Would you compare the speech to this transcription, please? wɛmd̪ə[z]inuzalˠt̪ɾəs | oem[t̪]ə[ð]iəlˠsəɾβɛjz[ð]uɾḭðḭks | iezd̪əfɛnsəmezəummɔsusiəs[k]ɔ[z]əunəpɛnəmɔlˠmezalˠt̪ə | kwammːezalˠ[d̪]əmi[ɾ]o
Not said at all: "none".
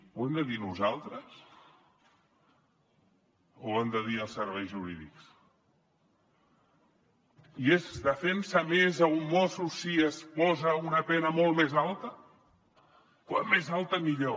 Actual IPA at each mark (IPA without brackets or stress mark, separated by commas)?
ð, d̪, ð, ʒ, p, z, t̪, ʎ